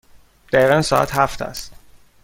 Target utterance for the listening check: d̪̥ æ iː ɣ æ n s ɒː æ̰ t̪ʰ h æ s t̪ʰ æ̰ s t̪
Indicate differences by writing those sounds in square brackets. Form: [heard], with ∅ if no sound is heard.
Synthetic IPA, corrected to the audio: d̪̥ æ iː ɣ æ n s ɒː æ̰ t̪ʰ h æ [f] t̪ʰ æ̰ s t̪